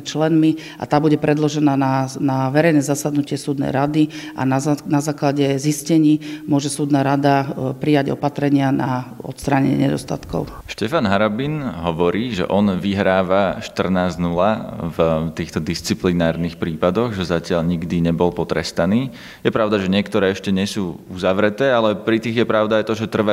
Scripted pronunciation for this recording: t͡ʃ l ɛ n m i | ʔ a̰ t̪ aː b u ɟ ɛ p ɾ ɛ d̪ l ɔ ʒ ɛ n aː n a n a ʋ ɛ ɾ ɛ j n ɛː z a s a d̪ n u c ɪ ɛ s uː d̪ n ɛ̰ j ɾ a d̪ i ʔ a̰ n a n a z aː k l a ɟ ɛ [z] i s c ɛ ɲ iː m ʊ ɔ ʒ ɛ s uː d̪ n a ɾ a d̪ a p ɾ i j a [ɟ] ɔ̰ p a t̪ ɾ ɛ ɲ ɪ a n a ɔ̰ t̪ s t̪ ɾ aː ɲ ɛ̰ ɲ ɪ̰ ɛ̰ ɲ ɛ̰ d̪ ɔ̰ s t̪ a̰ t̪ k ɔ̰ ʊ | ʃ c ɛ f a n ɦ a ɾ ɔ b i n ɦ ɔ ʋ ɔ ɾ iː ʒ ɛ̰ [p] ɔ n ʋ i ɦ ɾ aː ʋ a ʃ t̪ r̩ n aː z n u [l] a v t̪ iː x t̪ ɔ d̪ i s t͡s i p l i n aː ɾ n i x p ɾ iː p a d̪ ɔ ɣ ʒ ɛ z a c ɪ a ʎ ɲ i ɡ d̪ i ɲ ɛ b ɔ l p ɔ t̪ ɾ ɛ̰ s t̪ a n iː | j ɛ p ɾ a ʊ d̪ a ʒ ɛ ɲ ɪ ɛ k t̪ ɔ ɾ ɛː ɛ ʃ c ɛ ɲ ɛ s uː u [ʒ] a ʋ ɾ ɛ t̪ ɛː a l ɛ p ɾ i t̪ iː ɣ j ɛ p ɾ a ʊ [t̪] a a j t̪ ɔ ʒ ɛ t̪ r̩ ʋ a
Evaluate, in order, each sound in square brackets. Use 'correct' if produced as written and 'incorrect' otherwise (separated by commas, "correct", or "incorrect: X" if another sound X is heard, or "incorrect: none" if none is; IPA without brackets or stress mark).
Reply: correct, correct, incorrect: ʔ, correct, incorrect: z, incorrect: d̪